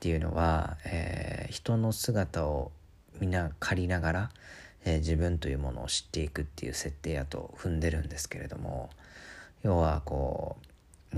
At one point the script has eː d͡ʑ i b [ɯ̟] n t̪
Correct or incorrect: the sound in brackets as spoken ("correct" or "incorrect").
incorrect